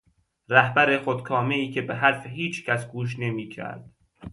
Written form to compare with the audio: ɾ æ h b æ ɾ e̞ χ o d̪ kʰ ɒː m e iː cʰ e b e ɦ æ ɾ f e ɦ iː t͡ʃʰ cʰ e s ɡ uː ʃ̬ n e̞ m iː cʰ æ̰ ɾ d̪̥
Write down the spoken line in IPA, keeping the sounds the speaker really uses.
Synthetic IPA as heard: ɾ æ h b æ ɾ e̞ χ o d̪ kʰ ɒː m e iː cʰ e b e ɦ æ ɾ f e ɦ iː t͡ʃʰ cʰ æ s ɡ uː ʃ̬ n e̞ m iː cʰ æ̰ ɾ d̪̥